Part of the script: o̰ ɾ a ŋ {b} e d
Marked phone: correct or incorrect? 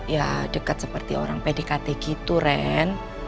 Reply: incorrect